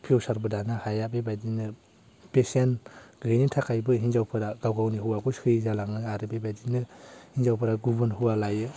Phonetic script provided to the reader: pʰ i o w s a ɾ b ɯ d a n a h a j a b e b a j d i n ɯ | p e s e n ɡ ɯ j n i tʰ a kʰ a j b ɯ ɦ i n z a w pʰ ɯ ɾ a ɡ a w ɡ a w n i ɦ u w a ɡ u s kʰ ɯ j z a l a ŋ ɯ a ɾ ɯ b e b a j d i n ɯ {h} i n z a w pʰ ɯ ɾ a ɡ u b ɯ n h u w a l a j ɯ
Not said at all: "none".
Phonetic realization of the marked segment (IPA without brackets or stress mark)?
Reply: h